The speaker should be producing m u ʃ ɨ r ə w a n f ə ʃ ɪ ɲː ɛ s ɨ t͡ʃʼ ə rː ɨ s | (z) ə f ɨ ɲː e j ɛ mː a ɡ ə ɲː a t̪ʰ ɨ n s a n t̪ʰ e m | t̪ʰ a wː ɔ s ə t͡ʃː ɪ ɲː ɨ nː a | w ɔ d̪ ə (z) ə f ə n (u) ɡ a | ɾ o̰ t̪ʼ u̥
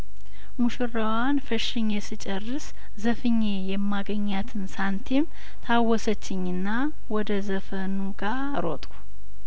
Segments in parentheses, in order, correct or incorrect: correct, correct, correct

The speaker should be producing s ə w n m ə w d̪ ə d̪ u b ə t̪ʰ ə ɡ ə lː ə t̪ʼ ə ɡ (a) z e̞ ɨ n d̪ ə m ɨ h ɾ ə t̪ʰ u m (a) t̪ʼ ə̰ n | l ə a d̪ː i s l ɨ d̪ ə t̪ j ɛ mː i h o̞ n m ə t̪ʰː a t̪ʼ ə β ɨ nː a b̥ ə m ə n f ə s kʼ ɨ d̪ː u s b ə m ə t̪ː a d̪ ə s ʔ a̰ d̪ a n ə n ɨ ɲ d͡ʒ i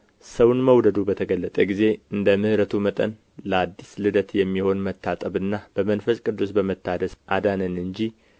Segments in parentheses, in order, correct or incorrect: incorrect, incorrect

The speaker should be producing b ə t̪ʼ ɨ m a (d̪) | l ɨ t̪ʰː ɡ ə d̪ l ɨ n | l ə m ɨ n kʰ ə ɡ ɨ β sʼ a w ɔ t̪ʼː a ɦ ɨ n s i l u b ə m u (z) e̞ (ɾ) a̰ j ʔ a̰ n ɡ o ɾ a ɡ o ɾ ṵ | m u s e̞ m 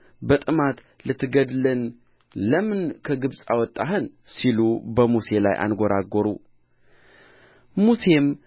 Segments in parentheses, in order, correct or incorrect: incorrect, incorrect, incorrect

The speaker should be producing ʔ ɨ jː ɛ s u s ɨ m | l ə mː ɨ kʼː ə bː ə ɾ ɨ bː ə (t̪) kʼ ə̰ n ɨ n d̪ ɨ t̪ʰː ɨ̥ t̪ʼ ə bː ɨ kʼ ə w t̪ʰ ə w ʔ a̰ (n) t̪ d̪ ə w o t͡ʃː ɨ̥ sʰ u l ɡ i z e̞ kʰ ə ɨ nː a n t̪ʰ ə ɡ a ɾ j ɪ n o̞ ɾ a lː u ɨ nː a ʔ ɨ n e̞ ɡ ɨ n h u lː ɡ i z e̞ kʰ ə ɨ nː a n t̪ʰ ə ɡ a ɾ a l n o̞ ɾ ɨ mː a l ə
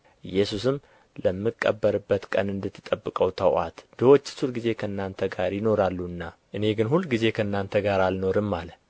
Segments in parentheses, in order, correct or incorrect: correct, incorrect

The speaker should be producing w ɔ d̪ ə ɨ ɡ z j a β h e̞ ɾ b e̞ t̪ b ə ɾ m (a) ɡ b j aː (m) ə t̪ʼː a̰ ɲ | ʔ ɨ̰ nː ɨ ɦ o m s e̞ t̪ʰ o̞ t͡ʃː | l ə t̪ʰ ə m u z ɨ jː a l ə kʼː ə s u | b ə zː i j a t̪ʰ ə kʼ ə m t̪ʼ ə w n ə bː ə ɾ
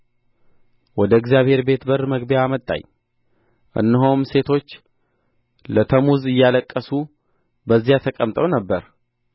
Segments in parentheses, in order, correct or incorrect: incorrect, correct

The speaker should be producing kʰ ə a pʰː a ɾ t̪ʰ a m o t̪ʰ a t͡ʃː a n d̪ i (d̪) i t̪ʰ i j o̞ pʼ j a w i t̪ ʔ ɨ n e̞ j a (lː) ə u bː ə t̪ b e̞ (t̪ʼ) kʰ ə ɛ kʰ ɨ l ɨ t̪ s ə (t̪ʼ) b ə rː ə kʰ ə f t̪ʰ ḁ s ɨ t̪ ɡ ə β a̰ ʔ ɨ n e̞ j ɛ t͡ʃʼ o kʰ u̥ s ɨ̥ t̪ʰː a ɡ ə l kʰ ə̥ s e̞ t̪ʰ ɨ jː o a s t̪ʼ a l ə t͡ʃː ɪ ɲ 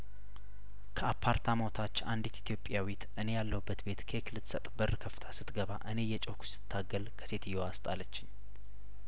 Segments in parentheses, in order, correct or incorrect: incorrect, correct, incorrect, correct

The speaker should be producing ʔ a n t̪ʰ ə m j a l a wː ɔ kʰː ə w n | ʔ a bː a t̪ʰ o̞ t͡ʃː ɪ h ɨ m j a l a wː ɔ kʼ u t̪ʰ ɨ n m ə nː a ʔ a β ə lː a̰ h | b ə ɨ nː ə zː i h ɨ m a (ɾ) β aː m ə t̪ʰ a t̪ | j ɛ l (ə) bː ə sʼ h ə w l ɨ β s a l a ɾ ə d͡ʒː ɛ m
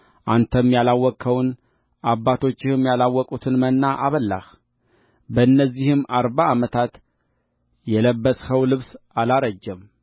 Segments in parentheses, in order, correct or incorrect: correct, correct

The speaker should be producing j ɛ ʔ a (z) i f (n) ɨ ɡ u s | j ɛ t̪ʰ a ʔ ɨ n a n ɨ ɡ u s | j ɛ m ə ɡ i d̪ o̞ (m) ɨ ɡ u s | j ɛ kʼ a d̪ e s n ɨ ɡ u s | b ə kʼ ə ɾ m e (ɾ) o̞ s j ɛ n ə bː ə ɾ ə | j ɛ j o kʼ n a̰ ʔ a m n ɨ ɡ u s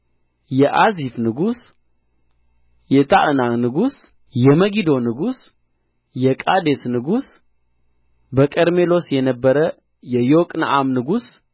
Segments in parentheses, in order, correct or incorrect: correct, correct, incorrect, incorrect

